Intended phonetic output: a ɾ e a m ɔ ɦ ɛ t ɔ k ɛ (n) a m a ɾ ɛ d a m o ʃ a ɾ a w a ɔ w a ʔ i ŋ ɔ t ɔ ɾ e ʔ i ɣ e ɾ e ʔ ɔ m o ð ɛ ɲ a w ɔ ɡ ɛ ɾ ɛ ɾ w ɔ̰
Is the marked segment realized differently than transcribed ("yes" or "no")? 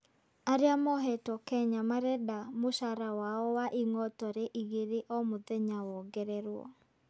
yes